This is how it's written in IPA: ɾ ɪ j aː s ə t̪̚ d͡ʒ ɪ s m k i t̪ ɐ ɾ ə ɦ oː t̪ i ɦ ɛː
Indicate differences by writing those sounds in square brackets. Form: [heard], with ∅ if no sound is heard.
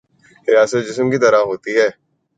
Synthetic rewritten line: ɾ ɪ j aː s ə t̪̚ d͡ʒ ɪ s m k i t̪ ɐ ɾ [a] ɦ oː t̪ i ɦ ɛː